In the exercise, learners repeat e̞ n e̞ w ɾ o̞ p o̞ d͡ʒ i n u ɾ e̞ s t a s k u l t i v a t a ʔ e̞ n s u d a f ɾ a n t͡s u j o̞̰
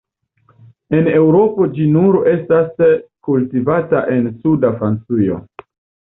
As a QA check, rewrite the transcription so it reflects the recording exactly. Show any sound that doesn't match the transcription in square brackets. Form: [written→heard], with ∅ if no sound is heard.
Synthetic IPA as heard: e̞ n e̞ w ɾ o̞ p o̞ d͡ʒ i n u ɾ e̞ s t a s k u l t i v a t a ʔ e̞ n s u d a f ɾ a n t͡s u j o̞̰